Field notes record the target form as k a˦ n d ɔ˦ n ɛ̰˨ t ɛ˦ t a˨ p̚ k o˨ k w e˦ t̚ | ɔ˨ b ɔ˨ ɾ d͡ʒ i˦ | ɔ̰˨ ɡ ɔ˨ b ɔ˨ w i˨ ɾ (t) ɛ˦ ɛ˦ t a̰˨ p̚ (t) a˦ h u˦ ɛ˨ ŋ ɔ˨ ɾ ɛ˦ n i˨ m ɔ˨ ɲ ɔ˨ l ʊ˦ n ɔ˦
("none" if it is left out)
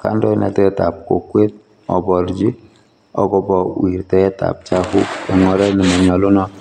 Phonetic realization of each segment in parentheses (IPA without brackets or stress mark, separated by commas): t, t͡ʃ